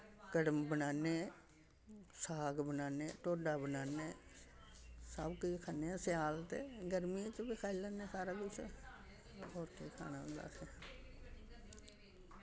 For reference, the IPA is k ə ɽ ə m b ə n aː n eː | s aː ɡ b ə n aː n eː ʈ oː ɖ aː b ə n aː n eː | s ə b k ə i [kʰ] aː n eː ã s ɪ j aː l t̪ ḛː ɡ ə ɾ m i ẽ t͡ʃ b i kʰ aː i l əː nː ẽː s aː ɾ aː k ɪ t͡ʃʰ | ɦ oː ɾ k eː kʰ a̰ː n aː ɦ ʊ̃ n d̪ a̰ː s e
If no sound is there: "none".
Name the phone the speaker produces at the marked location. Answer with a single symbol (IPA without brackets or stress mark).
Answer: kʰ